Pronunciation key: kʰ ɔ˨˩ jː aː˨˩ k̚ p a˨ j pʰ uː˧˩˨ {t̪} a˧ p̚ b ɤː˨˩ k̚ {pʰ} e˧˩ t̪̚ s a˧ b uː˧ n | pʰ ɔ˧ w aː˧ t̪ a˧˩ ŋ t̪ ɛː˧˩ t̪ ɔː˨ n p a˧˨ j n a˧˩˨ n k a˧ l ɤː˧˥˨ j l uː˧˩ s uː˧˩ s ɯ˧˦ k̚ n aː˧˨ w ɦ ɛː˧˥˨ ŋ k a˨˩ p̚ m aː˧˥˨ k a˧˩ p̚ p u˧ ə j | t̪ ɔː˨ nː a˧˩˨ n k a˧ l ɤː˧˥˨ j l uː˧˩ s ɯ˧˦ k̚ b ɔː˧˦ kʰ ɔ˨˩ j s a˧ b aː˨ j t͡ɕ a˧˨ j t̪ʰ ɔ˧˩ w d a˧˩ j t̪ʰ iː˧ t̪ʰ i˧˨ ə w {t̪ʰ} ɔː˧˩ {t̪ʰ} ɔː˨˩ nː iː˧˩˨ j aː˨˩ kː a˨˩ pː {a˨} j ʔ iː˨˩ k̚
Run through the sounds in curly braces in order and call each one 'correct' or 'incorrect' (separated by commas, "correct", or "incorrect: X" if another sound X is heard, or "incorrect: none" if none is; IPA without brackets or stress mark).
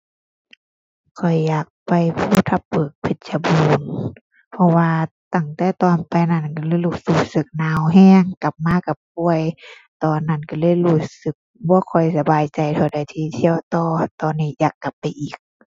incorrect: t̪ʰ, correct, incorrect: t̪, incorrect: t̪, correct